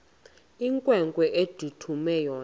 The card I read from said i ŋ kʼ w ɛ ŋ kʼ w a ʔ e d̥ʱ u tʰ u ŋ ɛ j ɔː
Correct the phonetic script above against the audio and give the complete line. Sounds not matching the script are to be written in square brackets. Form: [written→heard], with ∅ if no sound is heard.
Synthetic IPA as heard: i ŋ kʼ w ɛ ŋ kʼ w [a→ɛ] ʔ e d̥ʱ u tʰ u [ŋ→m] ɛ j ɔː